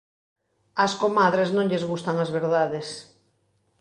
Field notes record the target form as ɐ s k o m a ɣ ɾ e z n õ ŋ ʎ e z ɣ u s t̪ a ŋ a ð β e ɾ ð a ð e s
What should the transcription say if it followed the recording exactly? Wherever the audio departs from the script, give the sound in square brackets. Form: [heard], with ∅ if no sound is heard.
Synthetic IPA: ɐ s k o m a [ð] ɾ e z n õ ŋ ʎ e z ɣ u s t̪ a ŋ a [z] β e ɾ ð a ð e s